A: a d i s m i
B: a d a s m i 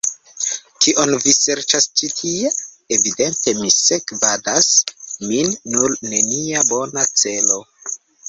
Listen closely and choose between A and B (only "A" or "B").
B